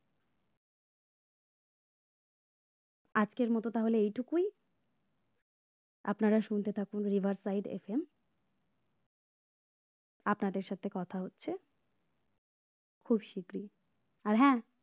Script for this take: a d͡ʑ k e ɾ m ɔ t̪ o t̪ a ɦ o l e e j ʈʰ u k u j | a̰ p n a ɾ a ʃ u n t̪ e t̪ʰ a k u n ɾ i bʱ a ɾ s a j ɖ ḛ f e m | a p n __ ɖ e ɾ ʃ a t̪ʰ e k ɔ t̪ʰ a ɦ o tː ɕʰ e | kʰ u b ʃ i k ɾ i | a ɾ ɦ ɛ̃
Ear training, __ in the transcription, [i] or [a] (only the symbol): a